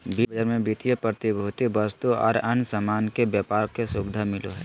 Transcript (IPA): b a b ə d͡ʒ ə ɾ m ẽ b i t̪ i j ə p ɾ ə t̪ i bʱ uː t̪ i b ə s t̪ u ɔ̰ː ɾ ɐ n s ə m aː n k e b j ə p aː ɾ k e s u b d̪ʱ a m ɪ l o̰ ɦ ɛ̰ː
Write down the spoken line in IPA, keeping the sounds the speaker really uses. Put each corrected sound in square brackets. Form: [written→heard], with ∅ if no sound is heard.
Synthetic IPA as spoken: b [a→i] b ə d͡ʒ ə ɾ m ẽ b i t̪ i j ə p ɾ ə t̪ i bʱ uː t̪ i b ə s t̪ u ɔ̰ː ɾ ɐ n s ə m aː n k e b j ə p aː ɾ k e s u b d̪ʱ a m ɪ l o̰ ɦ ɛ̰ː